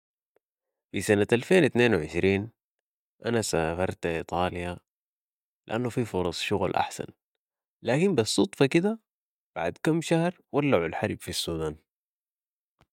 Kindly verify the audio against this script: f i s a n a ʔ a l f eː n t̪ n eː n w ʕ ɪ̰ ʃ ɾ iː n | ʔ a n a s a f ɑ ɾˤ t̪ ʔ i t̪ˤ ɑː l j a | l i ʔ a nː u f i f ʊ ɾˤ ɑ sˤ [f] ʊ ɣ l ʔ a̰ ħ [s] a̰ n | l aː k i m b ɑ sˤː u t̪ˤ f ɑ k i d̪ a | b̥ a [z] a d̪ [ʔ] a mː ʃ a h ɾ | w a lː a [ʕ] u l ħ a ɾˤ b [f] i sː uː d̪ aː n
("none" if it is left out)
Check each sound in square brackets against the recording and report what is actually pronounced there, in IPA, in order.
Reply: ʃ, s, ʕ, k, ʕ, f

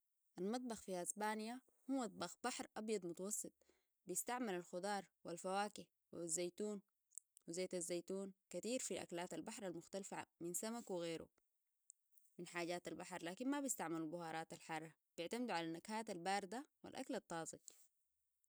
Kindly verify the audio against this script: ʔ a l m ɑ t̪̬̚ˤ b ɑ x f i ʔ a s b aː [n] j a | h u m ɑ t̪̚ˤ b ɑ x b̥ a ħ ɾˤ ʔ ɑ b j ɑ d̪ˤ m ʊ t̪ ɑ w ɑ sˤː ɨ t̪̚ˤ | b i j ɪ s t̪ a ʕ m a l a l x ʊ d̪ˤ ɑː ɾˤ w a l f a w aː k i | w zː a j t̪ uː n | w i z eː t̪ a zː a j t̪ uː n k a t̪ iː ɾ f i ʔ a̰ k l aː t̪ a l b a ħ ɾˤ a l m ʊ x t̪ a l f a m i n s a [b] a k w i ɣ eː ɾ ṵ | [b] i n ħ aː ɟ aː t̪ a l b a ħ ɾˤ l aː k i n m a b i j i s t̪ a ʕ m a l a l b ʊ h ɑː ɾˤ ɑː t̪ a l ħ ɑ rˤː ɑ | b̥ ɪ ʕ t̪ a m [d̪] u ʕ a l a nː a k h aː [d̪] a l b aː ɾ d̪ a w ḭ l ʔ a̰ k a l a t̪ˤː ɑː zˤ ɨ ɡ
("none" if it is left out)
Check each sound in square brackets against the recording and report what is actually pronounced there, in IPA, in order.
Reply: n, m, m, d̪, t̪

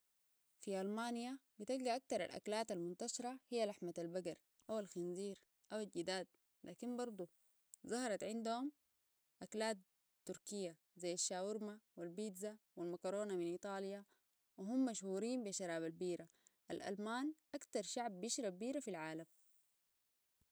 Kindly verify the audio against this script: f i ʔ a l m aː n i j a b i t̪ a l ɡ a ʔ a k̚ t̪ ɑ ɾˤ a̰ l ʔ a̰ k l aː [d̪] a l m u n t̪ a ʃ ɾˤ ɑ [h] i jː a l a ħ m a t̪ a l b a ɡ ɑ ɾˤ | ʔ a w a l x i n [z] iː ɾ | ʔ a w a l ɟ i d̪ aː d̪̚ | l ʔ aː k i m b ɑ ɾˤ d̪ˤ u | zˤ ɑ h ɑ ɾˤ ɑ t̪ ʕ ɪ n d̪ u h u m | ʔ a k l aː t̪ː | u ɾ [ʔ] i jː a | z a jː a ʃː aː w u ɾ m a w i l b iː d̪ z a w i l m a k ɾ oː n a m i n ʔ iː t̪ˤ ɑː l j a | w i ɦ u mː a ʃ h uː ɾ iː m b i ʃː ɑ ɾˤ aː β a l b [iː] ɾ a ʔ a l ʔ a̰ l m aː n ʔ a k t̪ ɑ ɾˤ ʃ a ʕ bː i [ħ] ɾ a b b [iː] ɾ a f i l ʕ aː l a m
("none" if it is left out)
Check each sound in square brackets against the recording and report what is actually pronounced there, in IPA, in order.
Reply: t̪, h, z, k, iː, ʃ, iː

